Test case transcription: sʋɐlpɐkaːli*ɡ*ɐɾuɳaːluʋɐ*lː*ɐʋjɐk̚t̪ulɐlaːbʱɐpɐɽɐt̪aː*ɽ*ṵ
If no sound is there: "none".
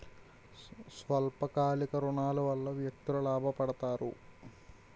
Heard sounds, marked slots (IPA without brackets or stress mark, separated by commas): k, lː, ɾ